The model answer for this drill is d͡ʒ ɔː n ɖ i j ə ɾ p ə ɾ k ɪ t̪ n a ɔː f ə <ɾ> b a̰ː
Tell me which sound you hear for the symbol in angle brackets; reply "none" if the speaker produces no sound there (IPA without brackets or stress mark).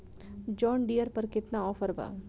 ɾ